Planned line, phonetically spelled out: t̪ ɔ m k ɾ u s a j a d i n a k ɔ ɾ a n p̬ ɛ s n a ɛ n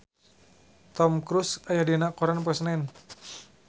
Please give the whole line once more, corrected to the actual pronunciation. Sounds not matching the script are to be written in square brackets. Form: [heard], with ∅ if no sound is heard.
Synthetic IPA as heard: t̪ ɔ m k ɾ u s a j a d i n a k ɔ ɾ a n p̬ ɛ s n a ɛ n